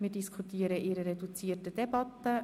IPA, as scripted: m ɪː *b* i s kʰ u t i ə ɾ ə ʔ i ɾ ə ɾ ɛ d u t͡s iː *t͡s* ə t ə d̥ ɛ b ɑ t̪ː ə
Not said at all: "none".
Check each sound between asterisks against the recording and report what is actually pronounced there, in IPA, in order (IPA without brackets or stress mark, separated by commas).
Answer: d, none